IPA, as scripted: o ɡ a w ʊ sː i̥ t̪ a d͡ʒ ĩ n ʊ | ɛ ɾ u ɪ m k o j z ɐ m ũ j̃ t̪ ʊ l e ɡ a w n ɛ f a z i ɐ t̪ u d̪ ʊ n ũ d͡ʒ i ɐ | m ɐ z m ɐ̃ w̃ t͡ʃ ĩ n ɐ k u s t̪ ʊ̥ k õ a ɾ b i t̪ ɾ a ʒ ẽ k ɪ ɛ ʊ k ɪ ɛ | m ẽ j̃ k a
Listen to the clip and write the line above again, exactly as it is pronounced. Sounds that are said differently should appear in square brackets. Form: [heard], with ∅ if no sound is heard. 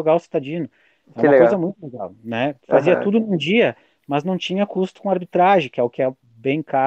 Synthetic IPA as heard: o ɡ a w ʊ [s] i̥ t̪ a d͡ʒ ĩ n ʊ | ɛ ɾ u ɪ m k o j z ɐ m ũ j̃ t̪ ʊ l e ɡ a w n ɛ f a z i ɐ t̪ u d̪ ʊ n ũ d͡ʒ i ɐ | m ɐ z [n] ɐ̃ w̃ t͡ʃ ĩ [ɲ] ɐ k u s t̪ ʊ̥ k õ a ɾ b i t̪ ɾ a ʒ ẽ k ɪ ɛ ʊ k ɪ ɛ | [b] ẽ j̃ k a